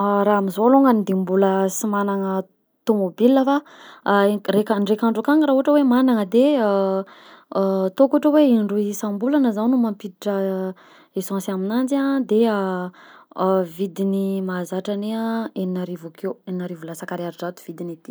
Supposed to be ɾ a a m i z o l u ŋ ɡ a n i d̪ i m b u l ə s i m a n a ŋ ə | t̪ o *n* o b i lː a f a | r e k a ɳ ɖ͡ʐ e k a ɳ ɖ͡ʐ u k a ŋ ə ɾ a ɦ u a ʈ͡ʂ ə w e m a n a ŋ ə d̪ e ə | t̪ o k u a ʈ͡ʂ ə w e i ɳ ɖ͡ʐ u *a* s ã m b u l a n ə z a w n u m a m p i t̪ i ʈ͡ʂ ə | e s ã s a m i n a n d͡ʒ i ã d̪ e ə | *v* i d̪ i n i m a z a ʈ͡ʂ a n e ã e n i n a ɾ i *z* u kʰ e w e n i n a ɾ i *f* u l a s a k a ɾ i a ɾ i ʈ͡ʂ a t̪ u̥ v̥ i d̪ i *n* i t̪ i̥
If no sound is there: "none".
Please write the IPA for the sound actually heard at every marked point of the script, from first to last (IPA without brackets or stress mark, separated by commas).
m, i, v, v, v, n